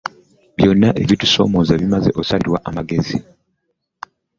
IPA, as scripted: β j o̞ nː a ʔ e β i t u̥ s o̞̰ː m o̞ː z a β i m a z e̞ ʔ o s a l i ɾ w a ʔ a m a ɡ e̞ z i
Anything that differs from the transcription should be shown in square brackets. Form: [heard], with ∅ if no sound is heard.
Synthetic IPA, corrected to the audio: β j o̞ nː a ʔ e β i t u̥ s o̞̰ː m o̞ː z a β i m a z e̞ ʔ o s a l i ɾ w a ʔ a m a ɡ e̞ z i